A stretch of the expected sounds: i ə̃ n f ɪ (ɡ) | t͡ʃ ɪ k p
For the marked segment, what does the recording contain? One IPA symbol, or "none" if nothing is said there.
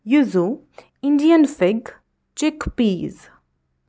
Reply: ɡ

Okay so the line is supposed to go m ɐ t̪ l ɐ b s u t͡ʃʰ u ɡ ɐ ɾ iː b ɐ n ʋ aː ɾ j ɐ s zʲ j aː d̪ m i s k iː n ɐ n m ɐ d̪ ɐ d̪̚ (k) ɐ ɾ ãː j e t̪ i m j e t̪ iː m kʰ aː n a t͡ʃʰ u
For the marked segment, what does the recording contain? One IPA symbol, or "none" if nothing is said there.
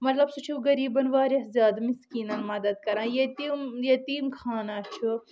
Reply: k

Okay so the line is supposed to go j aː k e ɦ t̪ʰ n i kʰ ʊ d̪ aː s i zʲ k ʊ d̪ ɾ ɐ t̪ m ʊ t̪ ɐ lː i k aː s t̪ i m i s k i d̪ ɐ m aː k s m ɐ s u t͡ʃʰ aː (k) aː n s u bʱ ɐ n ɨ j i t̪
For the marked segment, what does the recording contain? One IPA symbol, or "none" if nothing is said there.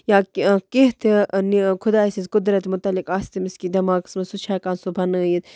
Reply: k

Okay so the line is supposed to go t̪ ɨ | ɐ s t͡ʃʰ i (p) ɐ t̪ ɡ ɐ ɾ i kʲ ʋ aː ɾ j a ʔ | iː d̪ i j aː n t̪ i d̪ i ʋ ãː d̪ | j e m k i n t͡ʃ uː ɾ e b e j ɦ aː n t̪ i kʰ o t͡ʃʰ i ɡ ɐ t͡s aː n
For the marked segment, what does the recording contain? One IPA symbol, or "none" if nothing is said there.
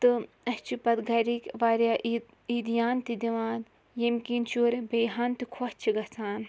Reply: p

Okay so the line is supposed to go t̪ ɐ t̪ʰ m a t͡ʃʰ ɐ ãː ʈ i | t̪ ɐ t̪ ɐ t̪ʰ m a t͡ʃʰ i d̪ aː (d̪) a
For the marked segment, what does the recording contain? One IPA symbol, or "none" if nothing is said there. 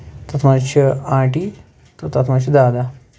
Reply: d̪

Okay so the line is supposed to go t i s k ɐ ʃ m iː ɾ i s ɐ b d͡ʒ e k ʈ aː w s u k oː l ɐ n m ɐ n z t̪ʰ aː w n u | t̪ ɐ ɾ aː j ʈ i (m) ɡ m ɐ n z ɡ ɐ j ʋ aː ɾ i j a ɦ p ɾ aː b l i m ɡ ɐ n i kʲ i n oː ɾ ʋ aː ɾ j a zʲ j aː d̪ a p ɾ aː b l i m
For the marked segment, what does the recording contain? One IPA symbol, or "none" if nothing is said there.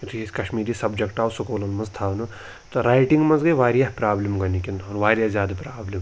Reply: ŋ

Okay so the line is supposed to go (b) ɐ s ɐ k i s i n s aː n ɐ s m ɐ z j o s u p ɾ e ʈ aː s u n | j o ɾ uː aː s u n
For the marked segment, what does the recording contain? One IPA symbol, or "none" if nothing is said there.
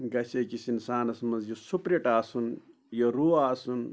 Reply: ɡ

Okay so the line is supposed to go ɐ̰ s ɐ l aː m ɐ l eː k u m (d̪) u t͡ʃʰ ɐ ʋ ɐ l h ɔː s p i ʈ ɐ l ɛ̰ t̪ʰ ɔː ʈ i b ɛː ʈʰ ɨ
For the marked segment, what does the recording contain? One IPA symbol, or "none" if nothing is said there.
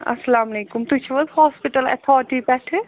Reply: t̪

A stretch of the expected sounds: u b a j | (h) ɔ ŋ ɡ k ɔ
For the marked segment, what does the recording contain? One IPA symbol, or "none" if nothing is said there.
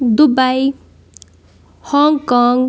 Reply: h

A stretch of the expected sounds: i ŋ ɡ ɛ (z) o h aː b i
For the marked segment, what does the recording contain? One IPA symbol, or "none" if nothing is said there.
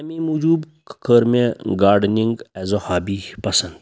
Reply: z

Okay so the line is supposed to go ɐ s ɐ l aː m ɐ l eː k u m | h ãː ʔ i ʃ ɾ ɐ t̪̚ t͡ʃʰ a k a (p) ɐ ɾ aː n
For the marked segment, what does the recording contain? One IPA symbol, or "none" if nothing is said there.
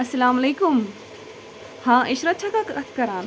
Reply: k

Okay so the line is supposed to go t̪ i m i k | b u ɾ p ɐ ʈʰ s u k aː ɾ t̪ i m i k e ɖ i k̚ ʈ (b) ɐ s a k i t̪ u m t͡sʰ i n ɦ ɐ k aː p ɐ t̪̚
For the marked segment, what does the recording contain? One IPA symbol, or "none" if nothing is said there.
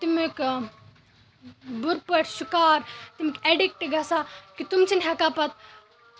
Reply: ɡ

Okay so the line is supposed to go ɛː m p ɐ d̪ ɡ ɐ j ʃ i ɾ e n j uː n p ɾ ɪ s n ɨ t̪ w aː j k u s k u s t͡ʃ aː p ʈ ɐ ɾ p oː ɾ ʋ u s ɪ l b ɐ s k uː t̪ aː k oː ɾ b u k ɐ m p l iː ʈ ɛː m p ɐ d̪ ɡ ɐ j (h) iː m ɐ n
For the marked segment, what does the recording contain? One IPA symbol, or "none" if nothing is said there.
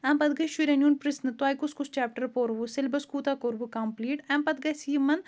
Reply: s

